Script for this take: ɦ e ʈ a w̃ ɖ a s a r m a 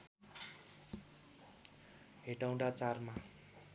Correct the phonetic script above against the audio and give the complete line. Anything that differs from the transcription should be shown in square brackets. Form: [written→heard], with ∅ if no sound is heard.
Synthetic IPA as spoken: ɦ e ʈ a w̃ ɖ a [s→t͡s] a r m a